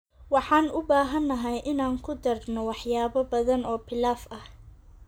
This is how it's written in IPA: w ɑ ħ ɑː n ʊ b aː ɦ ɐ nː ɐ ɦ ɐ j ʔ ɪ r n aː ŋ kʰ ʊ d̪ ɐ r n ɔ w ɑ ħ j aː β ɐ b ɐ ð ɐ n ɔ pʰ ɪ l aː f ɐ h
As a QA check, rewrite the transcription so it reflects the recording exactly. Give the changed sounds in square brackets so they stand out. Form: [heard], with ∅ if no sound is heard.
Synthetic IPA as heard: w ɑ ħ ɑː n ʊ b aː ɦ ɐ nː ɐ ɦ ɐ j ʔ ɪ [∅] n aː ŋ kʰ ʊ d̪ ɐ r n ɔ w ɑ ħ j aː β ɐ b ɐ ð ɐ n [ɔː] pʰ ɪ l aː f ɐ h